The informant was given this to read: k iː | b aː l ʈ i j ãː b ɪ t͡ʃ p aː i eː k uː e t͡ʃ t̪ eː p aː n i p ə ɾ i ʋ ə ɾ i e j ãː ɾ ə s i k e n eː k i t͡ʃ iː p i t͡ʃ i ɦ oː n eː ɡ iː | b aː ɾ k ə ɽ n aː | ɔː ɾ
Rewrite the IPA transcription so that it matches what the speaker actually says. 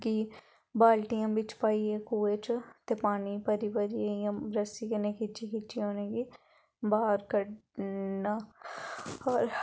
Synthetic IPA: k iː | b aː l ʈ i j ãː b ɪ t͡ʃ p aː i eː k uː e t͡ʃ t̪ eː p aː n i p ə ɾ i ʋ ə ɾ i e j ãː ɾ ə s i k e n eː k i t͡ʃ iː k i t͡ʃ i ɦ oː n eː ɡ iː | b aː ɾ k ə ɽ n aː | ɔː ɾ